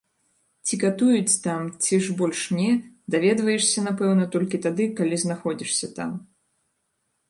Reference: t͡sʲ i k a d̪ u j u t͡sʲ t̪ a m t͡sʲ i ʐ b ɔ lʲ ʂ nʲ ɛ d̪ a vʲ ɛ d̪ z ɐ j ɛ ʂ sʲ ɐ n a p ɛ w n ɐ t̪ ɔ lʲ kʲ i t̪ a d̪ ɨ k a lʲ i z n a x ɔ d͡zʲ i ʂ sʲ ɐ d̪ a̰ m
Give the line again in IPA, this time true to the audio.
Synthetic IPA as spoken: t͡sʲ i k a t̪ u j u t͡sʲ t̪ a m t͡sʲ i ʐ b ɔ lʲ ʂ nʲ ɛ d̪ a vʲ ɛ d̪ v ɐ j ɛ ʂ sʲ ɐ n a p ɛ w n ɐ t̪ ɔ lʲ kʲ i t̪ a d̪ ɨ k a lʲ i z n a x ɔ d͡zʲ i ʂ sʲ ɐ t̪ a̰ m